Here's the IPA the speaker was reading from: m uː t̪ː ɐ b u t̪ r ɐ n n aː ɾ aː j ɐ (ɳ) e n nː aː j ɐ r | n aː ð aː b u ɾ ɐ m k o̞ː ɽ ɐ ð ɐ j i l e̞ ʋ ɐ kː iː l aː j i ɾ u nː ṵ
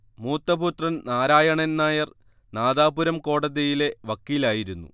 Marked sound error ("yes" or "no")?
no